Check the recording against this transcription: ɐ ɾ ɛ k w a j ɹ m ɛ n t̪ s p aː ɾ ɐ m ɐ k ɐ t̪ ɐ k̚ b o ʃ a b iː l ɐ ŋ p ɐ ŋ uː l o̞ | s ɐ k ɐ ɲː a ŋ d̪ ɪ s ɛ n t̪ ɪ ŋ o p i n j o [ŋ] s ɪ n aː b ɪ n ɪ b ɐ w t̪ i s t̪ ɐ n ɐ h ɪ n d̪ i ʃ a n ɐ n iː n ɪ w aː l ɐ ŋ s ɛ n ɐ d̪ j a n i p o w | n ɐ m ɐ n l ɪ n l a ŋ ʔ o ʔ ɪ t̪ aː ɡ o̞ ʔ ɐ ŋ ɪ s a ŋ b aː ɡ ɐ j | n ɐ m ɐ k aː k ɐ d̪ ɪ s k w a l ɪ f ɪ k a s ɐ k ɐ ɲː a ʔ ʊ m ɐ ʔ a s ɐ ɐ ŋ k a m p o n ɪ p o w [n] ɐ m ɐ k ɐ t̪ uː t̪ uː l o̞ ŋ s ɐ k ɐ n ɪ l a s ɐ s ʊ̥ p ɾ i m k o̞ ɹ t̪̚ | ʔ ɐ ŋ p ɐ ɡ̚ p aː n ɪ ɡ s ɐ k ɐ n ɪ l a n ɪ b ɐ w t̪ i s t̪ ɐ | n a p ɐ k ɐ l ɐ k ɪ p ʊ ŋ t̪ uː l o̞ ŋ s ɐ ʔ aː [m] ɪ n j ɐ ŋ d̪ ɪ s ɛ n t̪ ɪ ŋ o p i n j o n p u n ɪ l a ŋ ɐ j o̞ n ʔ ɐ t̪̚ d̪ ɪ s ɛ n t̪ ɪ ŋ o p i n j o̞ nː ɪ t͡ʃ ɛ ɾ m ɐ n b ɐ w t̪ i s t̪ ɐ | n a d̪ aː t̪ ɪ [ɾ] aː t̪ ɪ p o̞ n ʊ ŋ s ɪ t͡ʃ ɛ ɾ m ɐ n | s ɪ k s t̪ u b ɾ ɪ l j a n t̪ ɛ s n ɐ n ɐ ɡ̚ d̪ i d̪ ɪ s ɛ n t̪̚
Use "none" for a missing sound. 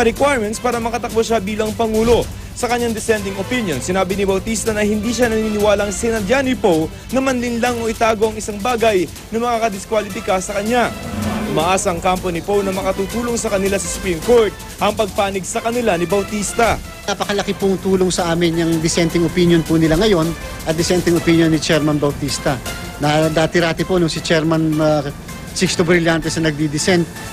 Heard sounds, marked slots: n, n, m, ɾ

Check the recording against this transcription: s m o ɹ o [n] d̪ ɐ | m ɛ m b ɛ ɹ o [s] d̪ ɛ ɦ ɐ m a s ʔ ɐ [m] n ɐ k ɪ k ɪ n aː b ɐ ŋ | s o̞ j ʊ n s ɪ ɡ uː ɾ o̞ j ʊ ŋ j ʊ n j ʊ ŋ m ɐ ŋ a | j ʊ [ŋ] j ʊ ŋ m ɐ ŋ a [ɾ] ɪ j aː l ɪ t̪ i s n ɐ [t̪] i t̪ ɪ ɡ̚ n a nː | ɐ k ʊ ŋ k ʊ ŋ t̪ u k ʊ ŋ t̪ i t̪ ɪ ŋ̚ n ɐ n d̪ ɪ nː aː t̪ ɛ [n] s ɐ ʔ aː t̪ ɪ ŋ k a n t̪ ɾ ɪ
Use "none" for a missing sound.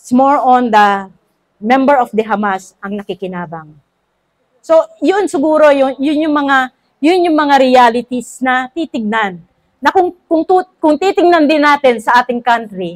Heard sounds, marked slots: n, f, ŋ, n, ɾ, t̪, n

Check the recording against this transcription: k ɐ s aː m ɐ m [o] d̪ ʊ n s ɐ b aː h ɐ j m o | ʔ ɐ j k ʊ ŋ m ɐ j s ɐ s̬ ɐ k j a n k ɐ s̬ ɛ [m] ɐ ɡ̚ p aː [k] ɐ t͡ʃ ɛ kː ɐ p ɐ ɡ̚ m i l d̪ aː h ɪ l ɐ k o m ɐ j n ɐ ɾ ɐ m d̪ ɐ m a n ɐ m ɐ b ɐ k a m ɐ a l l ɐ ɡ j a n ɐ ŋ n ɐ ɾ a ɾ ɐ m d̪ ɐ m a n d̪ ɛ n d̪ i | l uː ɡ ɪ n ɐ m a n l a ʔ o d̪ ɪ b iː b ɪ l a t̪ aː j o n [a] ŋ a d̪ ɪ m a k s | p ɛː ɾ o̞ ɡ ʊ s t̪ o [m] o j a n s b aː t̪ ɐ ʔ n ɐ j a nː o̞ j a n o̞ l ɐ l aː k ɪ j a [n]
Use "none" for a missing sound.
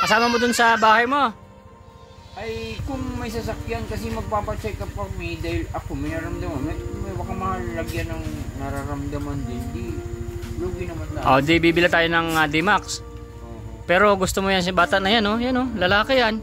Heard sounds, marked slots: o, m, p, ɐ, m, n

